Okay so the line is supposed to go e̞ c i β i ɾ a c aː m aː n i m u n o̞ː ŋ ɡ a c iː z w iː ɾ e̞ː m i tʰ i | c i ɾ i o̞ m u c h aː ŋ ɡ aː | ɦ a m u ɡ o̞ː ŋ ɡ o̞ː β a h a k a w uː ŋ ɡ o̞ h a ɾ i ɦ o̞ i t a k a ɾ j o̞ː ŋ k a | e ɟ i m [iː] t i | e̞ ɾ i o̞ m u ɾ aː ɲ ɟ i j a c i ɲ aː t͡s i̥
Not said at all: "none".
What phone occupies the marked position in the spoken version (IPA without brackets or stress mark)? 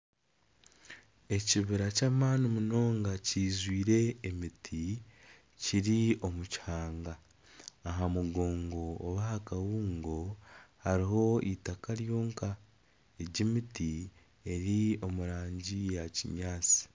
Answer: i